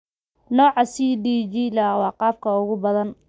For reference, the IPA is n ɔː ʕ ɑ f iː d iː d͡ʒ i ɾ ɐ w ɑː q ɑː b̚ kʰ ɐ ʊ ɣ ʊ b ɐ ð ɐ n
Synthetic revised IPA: n ɔː ʕ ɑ s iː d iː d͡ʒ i l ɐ w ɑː q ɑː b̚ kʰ ɐ ʊ ɣ ʊ b ɐ ð ɐ n